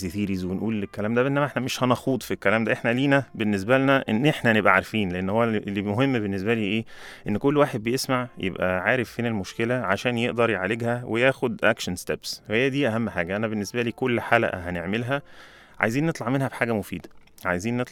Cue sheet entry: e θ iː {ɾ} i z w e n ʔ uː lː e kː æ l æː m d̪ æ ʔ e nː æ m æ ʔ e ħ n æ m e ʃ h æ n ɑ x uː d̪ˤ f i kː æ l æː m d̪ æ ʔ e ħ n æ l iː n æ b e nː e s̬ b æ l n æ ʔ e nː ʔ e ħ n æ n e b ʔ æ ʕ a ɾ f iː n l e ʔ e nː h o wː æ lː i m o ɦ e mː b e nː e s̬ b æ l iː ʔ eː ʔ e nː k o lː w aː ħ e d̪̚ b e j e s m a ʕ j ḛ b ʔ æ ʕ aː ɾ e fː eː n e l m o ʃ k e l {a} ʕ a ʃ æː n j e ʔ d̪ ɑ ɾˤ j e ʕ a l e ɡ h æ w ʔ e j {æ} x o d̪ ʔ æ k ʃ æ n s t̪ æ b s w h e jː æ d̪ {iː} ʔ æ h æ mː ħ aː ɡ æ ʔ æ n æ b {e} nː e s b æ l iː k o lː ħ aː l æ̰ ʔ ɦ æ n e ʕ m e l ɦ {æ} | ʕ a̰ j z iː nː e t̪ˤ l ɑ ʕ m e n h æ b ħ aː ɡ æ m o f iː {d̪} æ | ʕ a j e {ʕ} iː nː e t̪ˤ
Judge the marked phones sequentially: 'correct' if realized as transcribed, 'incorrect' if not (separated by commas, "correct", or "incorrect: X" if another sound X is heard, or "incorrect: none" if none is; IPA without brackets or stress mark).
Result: correct, incorrect: æ, incorrect: æː, correct, correct, correct, correct, incorrect: z